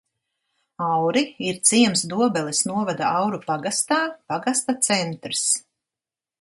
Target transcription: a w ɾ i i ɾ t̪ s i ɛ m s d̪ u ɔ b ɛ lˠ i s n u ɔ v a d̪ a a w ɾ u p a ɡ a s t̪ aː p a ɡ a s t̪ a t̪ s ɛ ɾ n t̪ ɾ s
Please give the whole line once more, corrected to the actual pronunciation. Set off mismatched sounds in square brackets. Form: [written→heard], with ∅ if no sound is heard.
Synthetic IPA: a w ɾ i i ɾ t̪ s i ɛ m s d̪ u ɔ b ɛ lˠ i s n u ɔ v a d̪ a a w ɾ u p a ɡ a s t̪ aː p a ɡ a s t̪ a t̪ s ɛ [ɾ→∅] n t̪ ɾ s

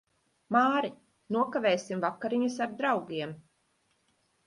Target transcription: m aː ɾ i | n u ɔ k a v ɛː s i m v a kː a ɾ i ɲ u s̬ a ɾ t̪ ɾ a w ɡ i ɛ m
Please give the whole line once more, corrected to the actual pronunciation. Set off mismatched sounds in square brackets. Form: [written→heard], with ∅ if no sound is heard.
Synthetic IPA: m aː ɾ i | n u ɔ k a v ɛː s i m v a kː a ɾ i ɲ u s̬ a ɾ [t̪→d̪] ɾ a w ɡ i ɛ m

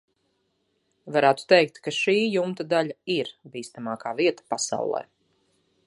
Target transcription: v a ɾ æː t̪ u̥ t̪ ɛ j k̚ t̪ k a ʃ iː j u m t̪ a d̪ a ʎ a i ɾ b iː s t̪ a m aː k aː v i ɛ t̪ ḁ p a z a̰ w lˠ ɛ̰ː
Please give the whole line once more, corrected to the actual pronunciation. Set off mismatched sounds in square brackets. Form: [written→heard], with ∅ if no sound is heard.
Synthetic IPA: v a ɾ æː t̪ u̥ t̪ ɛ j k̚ t̪ k a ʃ iː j u m t̪ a d̪ a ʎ a i ɾ b iː s t̪ a m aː k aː v i ɛ t̪ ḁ p a [z→s] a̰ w lˠ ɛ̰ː

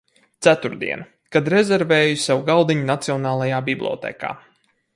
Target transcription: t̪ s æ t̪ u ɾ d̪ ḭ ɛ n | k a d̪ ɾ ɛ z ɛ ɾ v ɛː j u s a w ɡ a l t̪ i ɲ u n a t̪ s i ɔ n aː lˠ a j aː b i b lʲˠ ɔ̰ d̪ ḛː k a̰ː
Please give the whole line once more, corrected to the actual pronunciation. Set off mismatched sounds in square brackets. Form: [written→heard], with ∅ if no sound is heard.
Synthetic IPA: t̪ s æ t̪ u ɾ d̪ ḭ ɛ n | k a d̪ ɾ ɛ z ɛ ɾ v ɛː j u s a w ɡ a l [t̪→d̪] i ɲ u n a t̪ s i ɔ n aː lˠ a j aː b i b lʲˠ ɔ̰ [d̪→t̪] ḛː k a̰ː

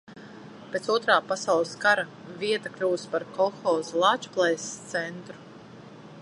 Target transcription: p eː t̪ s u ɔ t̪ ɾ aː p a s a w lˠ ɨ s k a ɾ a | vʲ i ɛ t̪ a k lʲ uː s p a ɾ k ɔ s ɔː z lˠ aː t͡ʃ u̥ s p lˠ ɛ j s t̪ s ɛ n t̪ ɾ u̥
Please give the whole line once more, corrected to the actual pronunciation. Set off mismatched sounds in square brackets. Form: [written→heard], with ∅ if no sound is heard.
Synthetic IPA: p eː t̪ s u ɔ t̪ ɾ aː p a s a w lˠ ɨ s k a ɾ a | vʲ i ɛ t̪ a k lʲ uː s p a ɾ k ɔ [s→x] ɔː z lˠ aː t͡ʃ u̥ [s→∅] p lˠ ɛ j s t̪ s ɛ n t̪ ɾ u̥

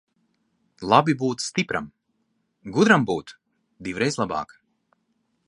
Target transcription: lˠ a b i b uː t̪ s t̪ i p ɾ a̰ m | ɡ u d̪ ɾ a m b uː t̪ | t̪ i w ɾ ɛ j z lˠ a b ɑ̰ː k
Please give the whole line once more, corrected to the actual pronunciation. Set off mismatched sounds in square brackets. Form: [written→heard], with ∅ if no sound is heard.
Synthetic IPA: lˠ a b i b uː t̪ s t̪ i p ɾ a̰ m | ɡ u d̪ ɾ a m b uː t̪ | [t̪→d̪] i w ɾ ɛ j z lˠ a b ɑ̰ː k

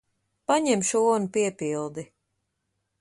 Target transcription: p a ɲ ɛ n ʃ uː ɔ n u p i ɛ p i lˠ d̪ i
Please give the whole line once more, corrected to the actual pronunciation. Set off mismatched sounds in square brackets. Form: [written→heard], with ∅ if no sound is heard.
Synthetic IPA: p a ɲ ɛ [n→m] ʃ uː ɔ n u p i ɛ p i lˠ d̪ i

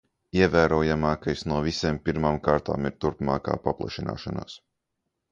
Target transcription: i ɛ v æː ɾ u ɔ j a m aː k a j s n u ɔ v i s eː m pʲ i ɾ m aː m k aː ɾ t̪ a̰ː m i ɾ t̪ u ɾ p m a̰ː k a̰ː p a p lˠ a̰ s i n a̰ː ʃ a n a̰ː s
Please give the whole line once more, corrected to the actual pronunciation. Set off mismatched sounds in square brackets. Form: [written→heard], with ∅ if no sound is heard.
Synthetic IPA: i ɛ v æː ɾ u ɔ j a m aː k a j s n u ɔ v i s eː m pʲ i ɾ m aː m k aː ɾ t̪ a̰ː m i ɾ t̪ u ɾ p m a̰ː k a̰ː p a p lˠ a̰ [s→ʃ] i n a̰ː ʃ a n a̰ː s

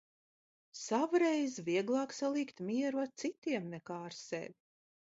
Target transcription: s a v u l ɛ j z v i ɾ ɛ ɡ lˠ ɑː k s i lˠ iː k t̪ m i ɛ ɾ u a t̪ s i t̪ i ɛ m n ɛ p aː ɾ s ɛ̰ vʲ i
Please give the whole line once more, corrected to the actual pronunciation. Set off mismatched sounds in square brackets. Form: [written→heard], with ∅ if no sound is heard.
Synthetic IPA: s a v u [l→ɾ] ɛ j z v i [ɾ→∅] ɛ ɡ lˠ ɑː k s [i→a] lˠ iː k t̪ m i ɛ ɾ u a t̪ s i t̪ i ɛ m n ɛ [p→k] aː ɾ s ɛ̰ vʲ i

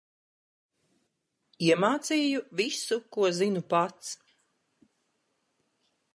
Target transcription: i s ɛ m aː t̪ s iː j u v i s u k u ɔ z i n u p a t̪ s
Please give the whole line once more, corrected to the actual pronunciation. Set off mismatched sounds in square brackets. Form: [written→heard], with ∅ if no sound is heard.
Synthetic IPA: i [s→∅] ɛ m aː t̪ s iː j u v i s u k u ɔ z i n u p a t̪ s

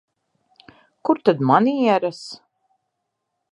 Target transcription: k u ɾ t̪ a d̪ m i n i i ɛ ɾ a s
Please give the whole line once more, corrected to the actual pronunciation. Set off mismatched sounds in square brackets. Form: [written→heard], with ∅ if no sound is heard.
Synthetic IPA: k u ɾ t̪ a d̪ m [i→a] n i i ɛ ɾ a s

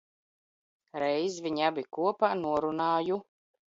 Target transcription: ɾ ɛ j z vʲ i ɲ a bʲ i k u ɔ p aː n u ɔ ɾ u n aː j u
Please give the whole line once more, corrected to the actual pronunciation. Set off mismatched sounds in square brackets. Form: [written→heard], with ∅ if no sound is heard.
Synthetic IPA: ɾ ɛ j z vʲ i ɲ a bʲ i k u ɔ p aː n u ɔ ɾ u n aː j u

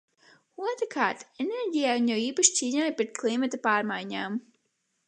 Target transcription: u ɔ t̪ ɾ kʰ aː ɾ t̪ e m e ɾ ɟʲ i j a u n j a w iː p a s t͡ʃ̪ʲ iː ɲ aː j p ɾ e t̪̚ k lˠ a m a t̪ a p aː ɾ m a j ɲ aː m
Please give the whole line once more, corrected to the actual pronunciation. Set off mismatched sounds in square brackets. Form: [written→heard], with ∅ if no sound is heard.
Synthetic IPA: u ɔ t̪ ɾ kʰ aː ɾ t̪ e [m→n] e ɾ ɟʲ i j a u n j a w iː p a [s→ʃ] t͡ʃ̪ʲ iː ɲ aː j p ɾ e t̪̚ k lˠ [a→i] m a t̪ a p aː ɾ m a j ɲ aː m

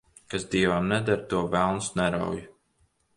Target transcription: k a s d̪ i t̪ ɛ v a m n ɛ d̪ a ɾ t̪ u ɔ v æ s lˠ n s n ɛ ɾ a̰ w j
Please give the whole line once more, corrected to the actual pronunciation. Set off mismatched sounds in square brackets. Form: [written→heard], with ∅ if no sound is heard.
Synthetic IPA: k a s d̪ i [t̪→∅] ɛ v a m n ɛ d̪ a ɾ t̪ u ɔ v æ [s→∅] lˠ n s n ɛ ɾ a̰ w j

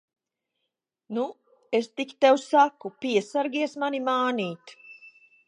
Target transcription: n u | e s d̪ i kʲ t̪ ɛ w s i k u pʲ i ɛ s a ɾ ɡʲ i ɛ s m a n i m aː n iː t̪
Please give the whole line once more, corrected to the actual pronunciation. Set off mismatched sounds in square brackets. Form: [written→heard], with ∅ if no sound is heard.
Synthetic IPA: n u | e s [d̪→t̪] i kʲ t̪ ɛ w s [i→a] k u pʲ i ɛ s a ɾ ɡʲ i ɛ s m a n i m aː n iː t̪

